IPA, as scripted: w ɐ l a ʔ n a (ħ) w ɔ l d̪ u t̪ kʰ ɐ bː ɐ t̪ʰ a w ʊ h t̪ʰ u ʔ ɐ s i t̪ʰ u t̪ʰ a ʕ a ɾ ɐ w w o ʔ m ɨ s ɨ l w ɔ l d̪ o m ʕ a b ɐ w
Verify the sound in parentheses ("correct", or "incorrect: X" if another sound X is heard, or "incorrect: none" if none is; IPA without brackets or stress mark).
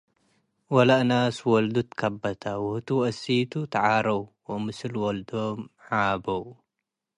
incorrect: s